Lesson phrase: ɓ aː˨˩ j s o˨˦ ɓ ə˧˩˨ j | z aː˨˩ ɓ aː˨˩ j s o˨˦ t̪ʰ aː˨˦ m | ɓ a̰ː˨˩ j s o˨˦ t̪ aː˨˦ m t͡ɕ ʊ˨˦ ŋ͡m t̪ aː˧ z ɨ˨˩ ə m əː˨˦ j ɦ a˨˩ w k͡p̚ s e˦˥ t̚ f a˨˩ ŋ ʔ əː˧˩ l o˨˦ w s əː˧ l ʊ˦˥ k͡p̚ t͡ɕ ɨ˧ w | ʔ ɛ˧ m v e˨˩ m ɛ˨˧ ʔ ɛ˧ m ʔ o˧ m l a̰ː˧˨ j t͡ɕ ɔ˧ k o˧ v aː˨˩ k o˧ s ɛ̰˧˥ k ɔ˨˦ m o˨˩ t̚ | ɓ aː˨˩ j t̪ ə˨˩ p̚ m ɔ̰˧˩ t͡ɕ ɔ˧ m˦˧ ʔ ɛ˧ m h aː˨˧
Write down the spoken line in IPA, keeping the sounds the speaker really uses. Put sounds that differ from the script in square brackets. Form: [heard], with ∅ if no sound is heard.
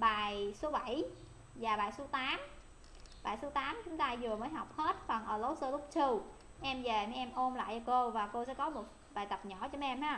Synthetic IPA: ɓ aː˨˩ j s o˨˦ ɓ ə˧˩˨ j | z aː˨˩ ɓ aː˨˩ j s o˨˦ [t̪] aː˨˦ m | ɓ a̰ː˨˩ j s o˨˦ t̪ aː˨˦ m t͡ɕ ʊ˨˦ ŋ͡m t̪ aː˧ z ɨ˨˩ ə m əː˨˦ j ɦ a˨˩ w k͡p̚ [h] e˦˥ t̚ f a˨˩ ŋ ʔ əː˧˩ l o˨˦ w s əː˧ l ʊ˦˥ k͡p̚ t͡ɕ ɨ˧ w | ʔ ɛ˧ m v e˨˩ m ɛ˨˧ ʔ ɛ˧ m ʔ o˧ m l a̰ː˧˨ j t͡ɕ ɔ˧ k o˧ v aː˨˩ k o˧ s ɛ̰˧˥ k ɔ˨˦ m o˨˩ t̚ | ɓ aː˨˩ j t̪ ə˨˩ p̚ [ɲ] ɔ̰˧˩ t͡ɕ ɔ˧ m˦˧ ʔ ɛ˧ m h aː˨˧